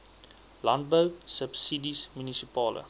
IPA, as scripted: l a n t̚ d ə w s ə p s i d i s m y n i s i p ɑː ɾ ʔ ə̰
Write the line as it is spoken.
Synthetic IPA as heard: l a n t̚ b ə w s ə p s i d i s m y n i s i p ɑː l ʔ ə̰